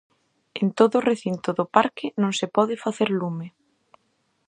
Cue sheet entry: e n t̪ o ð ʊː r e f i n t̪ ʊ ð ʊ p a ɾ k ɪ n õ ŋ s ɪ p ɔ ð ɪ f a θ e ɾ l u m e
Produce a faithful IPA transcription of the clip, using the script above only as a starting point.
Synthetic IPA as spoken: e n t̪ o ð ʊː r e θ i n t̪ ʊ ð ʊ p a ɾ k ɪ n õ ŋ s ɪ p ɔ ð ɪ f a θ e ɾ l u m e